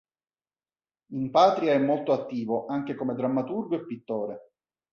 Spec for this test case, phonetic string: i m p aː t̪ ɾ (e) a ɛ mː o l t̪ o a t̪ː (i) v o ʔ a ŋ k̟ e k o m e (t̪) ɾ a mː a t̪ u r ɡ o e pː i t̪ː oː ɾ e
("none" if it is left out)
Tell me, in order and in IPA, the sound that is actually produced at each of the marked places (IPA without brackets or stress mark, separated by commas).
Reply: i, iː, d̪